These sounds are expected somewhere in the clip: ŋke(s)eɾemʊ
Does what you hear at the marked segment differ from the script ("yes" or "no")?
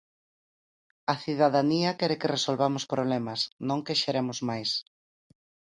yes